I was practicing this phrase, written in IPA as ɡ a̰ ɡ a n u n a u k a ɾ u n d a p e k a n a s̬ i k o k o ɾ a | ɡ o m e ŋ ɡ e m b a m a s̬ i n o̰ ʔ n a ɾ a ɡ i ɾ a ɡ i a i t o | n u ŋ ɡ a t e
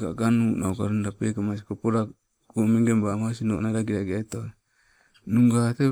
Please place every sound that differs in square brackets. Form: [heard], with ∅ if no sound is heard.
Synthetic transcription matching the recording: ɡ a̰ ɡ a n u n a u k a ɾ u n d a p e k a [m] a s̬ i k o [p] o ɾ a | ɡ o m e ŋ ɡ e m b a m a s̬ i n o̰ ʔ n a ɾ a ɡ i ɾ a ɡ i a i t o | n u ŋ ɡ a t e

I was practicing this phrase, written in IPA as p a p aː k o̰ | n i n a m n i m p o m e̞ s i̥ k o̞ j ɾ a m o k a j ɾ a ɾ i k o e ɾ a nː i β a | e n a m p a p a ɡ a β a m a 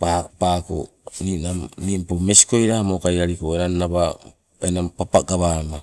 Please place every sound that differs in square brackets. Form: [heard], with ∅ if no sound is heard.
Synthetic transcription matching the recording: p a p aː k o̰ | n i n a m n i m p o m e̞ s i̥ k o̞ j ɾ a m o k a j ɾ a ɾ i k o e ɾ a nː [a] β a | e n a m p a p a ɡ a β a m a

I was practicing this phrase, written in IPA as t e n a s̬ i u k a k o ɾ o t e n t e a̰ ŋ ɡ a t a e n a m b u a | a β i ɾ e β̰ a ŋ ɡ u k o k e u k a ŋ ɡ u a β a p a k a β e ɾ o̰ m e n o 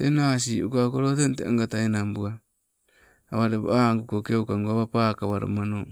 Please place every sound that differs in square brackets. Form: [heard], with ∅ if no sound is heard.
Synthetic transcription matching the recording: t e n a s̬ i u k a k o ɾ o t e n t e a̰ ŋ ɡ a t a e n a m b u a | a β [a] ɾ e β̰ a ŋ ɡ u k o k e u k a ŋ ɡ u a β a p a k a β [a] ɾ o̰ m [a] n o

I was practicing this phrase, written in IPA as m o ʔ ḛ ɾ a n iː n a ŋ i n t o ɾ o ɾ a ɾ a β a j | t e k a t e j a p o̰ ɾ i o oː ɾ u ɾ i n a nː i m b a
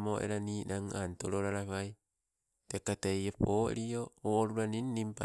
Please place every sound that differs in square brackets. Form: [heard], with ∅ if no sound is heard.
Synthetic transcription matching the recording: m o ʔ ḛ ɾ a n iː n a ŋ [a] n t o ɾ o ɾ a ɾ a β a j | t e k a t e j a p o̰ ɾ i o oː ɾ u ɾ [a] n [i] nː i m [p] a

